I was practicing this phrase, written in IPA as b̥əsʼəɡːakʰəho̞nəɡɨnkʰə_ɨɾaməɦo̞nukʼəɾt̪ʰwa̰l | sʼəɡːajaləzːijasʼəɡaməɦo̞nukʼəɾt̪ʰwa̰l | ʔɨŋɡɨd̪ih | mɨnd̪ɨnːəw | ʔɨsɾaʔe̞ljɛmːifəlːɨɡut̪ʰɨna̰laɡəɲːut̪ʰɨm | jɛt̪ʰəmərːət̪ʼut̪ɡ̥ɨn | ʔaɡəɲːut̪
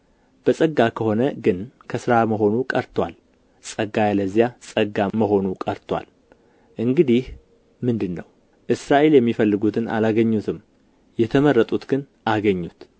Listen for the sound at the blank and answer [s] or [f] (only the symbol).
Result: s